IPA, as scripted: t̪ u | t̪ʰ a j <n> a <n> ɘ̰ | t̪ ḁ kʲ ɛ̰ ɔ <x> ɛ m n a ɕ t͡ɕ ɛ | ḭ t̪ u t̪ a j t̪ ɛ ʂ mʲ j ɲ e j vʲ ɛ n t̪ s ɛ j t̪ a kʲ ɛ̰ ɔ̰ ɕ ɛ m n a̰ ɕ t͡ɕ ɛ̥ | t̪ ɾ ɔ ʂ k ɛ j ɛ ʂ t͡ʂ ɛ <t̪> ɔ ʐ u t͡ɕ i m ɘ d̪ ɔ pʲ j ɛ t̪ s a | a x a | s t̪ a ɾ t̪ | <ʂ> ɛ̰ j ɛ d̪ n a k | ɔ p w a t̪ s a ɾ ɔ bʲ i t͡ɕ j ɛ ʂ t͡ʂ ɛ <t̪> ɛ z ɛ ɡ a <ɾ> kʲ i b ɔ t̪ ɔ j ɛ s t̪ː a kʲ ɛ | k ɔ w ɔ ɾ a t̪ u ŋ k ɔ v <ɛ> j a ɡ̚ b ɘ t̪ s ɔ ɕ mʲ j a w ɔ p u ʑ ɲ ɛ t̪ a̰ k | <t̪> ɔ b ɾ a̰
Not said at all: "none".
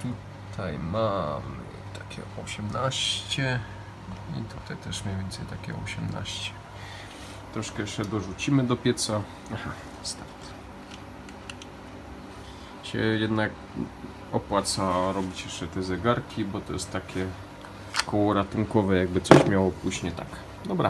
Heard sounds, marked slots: m, m, ɕ, d̪, ɕ, t̪, ɾ, ɛ, d̪

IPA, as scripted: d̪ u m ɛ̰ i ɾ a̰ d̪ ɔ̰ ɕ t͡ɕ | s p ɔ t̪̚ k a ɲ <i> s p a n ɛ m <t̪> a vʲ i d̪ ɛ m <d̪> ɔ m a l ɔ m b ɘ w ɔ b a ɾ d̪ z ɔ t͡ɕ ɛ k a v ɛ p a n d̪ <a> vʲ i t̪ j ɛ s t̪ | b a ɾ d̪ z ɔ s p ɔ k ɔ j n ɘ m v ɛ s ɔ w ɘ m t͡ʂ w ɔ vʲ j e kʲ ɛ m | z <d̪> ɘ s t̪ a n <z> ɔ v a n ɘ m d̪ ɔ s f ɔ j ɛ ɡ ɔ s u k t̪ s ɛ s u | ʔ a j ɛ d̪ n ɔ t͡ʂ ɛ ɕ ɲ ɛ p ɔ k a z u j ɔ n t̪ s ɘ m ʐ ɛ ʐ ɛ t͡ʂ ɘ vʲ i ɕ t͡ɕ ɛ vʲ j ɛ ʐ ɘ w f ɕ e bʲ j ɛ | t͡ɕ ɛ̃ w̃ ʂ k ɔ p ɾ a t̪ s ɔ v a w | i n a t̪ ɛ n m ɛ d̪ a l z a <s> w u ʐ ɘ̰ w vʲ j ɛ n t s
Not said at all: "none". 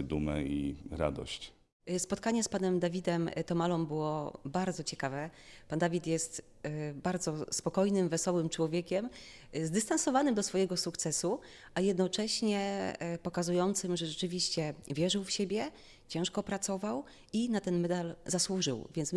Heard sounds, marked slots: ɛ, d̪, t̪, a, d̪, s, s

